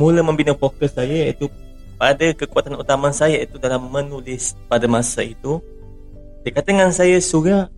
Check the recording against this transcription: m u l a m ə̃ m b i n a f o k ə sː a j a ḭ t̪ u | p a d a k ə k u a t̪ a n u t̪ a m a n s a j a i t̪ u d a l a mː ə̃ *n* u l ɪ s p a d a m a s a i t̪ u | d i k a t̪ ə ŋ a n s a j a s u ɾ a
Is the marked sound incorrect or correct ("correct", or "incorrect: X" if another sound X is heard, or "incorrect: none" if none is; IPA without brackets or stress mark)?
correct